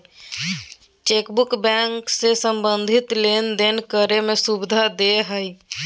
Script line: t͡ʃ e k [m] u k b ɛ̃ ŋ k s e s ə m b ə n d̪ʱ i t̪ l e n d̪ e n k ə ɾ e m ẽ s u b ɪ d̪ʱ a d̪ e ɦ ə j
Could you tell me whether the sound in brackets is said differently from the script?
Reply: yes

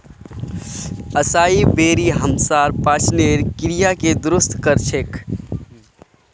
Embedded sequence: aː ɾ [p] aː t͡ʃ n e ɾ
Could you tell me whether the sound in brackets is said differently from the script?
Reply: no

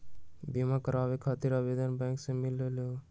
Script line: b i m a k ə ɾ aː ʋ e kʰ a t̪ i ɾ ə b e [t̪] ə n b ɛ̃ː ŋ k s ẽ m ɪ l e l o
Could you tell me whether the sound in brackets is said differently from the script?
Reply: yes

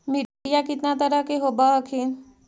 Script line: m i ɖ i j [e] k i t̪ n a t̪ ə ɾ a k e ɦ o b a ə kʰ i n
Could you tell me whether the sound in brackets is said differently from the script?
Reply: yes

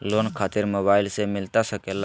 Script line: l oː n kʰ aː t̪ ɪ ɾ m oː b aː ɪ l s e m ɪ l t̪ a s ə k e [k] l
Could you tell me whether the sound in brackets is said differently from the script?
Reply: yes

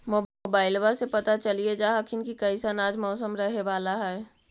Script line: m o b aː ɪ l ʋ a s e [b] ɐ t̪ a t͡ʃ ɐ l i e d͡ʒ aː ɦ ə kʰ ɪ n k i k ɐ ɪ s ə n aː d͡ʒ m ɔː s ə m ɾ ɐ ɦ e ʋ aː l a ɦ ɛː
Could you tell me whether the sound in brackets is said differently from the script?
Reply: yes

